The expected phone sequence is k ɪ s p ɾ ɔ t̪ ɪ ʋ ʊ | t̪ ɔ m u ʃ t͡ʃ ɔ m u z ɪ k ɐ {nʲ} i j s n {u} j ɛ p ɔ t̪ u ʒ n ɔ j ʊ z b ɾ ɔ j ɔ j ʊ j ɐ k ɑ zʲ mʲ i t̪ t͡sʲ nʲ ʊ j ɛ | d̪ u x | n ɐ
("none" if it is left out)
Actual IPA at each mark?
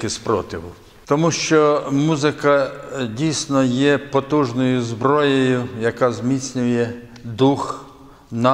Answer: dʲ, ɔ

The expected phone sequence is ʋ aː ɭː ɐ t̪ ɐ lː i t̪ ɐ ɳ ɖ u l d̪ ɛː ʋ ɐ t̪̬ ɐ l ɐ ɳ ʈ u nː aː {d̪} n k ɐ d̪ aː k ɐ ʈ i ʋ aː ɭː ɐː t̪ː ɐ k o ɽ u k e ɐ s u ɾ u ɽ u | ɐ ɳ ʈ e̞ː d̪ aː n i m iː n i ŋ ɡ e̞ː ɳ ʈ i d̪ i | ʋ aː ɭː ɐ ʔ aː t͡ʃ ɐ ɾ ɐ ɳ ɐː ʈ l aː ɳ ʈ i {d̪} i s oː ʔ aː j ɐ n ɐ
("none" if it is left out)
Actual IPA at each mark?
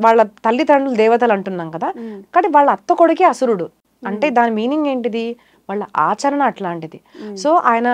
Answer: none, d̪

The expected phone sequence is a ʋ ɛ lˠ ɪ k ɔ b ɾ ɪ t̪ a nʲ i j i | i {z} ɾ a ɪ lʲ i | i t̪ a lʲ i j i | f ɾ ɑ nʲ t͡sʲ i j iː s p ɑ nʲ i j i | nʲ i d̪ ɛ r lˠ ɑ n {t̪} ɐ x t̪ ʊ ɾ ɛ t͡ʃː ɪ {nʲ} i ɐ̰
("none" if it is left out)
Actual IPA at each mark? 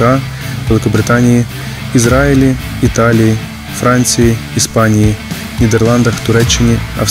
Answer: z, d̪, nʲ

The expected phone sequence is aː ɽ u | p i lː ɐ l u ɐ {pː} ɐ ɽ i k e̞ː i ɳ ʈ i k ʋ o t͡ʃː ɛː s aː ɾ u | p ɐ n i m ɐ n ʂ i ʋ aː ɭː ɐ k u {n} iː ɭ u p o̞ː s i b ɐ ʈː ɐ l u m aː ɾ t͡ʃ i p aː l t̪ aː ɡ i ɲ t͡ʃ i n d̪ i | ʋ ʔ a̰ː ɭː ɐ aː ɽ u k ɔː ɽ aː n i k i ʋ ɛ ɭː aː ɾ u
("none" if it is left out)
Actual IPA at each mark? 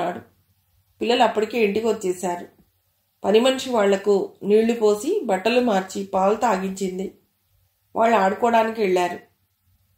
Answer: pː, n

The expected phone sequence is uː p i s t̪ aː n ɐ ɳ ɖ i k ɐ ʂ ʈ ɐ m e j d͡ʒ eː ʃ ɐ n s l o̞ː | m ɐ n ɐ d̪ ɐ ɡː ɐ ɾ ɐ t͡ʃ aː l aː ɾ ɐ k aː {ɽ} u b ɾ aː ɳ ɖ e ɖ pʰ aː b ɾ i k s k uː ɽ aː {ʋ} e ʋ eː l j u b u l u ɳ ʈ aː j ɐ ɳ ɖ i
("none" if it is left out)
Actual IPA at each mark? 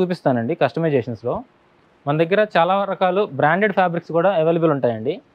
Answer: l, none

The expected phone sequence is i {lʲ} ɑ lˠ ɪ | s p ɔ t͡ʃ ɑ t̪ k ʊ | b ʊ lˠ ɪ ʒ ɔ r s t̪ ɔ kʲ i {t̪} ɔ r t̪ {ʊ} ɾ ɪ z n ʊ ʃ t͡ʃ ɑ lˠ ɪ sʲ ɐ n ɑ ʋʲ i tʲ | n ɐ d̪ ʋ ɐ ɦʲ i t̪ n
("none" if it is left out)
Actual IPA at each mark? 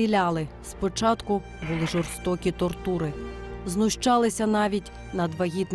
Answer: lʲ, t̪, u

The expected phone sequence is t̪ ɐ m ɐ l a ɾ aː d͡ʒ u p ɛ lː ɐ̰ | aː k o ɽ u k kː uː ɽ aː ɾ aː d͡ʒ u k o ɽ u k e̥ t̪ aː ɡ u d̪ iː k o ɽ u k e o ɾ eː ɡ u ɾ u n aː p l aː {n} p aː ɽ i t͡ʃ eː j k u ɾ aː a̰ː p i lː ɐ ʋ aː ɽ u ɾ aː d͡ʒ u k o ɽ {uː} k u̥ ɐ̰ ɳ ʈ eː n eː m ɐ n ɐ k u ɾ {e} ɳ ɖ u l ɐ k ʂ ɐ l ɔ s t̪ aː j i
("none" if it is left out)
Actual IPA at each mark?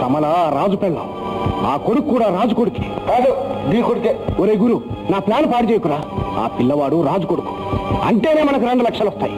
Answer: n, u, e

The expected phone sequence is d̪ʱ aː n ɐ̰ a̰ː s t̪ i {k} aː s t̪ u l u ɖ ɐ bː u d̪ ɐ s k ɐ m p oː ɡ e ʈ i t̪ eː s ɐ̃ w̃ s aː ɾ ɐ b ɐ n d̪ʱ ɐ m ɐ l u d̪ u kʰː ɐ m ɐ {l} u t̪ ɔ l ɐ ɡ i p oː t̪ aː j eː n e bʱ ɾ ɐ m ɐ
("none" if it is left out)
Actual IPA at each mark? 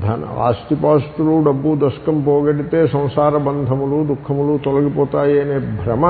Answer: p, l

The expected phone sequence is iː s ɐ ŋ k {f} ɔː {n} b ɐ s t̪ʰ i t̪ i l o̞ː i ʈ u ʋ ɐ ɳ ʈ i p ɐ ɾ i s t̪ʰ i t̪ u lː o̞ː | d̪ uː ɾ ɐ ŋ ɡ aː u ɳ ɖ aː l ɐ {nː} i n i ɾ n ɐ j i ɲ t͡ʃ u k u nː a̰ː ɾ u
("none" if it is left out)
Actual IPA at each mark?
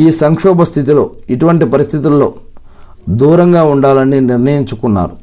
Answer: ʂ, none, n

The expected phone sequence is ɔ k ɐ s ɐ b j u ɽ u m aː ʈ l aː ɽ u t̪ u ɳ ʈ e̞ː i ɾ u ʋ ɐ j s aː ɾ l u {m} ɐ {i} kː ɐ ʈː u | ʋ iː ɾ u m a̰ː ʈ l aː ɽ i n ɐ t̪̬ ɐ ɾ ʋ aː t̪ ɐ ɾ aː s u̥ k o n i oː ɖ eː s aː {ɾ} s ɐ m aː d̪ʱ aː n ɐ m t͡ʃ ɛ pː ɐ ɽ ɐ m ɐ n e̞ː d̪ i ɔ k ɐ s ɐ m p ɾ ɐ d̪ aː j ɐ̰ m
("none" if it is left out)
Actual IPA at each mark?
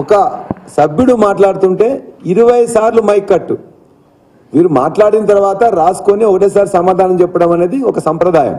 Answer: m, j, ɾ

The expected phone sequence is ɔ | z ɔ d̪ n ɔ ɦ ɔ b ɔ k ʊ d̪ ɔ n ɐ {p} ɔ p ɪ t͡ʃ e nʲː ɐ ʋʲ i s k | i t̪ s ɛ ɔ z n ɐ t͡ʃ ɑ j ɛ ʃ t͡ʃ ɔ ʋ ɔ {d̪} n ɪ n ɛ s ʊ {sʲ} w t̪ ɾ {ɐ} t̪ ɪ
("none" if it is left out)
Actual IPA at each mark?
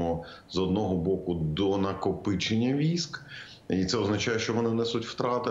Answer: k, none, tʲ, ɑ

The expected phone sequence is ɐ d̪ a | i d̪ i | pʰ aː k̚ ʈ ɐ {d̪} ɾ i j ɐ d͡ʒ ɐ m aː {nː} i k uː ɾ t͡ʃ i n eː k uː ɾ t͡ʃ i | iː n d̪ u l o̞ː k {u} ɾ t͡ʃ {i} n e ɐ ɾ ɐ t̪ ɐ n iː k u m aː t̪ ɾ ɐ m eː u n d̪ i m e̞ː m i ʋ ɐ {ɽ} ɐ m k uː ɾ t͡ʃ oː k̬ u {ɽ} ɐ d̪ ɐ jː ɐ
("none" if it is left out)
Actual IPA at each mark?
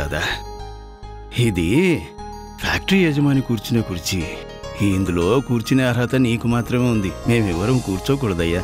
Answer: none, n, uː, i, ɾ, ɽ

